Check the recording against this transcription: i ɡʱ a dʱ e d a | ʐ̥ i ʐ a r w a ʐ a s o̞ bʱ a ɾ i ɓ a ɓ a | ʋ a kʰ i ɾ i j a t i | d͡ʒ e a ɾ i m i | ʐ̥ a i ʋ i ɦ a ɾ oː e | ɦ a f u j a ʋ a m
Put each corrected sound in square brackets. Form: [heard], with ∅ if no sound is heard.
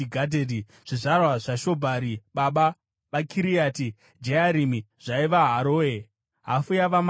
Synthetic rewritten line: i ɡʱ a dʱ e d [i] | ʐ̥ i ʐ a r w a ʐ a [ʃ] o̞ bʱ a ɾ i ɓ a ɓ a | ʋ a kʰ i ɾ i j a t i | d͡ʒ e a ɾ i m i | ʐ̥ a i ʋ [a] ɦ a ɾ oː e | ɦ a f u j a ʋ a m